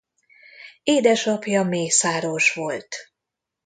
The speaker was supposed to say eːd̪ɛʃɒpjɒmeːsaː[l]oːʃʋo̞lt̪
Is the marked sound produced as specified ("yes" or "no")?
no